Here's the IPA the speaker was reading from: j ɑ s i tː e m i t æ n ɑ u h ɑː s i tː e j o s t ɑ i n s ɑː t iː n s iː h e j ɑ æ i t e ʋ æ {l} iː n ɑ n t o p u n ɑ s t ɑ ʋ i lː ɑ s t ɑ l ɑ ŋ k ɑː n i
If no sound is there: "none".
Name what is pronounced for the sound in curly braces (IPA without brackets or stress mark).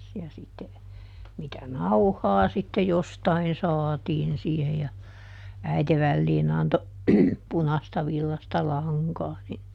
lː